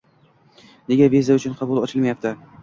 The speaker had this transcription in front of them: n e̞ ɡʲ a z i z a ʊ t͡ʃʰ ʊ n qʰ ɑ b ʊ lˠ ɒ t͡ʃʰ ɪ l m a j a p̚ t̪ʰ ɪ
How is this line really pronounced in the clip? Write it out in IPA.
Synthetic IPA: n e̞ ɡʲ a v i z a ʊ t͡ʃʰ ʊ n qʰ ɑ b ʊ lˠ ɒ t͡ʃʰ ɪ l m a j a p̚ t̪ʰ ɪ